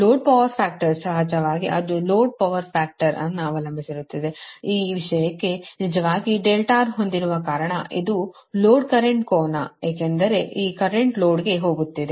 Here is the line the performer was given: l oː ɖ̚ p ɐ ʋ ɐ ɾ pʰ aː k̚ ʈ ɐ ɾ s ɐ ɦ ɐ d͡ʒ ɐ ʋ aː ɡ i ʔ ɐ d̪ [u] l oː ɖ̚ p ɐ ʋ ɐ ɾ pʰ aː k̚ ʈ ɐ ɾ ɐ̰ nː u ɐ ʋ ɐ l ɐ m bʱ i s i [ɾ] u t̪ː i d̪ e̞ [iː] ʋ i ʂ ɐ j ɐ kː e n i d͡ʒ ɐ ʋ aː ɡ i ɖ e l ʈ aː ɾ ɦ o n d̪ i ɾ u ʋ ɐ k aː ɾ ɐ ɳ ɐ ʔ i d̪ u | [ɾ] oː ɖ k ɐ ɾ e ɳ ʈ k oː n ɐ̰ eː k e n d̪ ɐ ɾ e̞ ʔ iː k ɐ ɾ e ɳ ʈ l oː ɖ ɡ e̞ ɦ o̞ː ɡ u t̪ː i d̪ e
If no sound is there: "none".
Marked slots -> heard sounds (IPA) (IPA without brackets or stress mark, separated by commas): u, ɾ, iː, l